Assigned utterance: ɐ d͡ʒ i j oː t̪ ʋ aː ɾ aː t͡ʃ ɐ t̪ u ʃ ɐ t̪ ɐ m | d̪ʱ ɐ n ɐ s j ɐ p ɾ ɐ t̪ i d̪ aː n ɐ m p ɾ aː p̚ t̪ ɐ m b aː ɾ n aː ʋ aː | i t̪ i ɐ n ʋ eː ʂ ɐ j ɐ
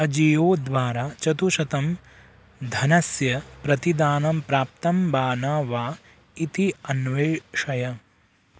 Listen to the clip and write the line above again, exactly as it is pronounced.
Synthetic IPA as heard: ɐ d͡ʒ i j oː d̪ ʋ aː ɾ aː t͡ʃ ɐ t̪ u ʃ ɐ t̪ ɐ m | d̪ʱ ɐ n ɐ s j ɐ p ɾ ɐ t̪ i d̪ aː n ɐ m p ɾ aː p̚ t̪ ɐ m b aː n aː ʋ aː | i t̪ i ɐ n ʋ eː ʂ ɐ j ɐ